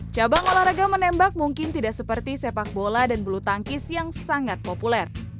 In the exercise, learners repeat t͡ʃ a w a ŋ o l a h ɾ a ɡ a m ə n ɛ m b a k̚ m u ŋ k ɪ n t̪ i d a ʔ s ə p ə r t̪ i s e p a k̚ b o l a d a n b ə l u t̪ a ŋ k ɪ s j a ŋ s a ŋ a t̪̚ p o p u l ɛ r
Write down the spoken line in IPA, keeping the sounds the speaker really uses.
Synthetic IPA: t͡ʃ a b a ŋ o l a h ɾ a ɡ a m ə n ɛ m b a k̚ m u ŋ k ɪ n t̪ i d a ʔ s ə p ə r t̪ i s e p a k̚ b o l a d a n b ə l u t̪ a ŋ k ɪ s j a ŋ s a ŋ a t̪̚ p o p u l ɛ r